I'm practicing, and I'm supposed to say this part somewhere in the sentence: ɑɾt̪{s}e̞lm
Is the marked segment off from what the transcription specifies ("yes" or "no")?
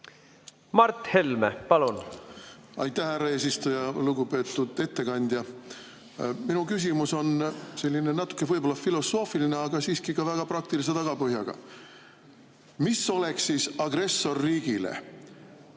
yes